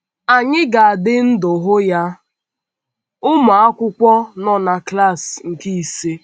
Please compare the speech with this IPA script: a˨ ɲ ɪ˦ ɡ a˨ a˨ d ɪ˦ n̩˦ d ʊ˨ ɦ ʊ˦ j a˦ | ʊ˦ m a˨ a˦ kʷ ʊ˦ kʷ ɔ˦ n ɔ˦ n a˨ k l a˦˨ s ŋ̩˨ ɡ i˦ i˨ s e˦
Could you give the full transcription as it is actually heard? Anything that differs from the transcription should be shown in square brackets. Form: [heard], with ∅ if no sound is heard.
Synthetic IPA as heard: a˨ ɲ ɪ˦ ɡ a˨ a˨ d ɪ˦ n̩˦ d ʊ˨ ɦ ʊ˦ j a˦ | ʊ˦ m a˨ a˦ kʷ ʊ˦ kʷ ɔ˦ n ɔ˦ n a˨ k l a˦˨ s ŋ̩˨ [k] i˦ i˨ s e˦